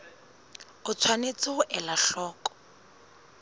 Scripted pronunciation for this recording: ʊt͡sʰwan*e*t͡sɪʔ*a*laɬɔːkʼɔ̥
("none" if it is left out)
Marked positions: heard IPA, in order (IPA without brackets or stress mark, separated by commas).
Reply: e, ɛ